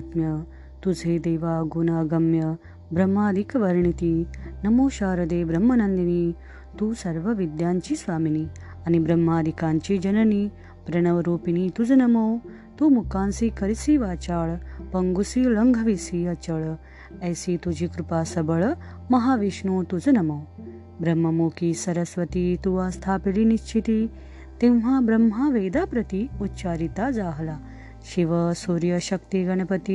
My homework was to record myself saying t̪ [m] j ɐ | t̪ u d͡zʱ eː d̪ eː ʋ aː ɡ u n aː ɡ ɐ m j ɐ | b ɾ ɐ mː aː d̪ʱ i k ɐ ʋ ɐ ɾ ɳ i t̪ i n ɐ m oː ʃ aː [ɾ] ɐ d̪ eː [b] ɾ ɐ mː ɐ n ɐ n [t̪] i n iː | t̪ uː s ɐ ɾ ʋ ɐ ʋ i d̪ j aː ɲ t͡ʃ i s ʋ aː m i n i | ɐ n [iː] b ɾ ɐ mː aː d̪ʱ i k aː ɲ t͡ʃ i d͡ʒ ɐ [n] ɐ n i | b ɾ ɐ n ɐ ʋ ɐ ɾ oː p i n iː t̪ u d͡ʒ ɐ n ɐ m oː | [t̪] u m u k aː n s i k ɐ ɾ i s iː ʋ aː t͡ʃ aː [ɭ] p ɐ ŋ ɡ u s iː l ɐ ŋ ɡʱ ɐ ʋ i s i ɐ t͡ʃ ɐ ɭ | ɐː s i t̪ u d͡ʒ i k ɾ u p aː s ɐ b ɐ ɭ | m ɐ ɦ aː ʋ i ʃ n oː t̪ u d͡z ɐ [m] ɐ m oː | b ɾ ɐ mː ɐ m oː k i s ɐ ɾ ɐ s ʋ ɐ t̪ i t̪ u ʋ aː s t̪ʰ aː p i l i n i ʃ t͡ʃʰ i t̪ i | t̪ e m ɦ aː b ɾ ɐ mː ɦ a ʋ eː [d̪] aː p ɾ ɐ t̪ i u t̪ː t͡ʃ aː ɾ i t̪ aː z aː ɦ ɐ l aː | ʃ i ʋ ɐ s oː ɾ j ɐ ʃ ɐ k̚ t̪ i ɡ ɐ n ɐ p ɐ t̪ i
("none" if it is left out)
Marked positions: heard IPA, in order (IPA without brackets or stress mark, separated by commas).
m, ɾ, b, d̪, i, n, t̪, ɭ, n, d̪